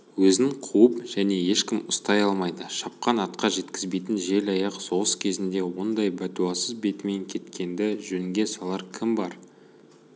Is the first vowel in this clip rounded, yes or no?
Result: yes